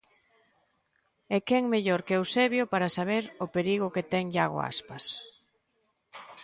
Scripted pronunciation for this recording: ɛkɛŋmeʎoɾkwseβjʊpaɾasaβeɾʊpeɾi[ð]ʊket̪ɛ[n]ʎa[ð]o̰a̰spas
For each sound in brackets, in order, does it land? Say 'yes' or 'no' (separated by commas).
no, no, no